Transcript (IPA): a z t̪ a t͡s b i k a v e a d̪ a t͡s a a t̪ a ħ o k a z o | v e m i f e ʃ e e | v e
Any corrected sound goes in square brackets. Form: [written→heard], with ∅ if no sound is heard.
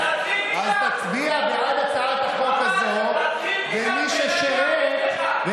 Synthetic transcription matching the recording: a z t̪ a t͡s b i [k→∅] a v e a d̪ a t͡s a a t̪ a [ħ→χ] o k a z o | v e m i [f→ʃ] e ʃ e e | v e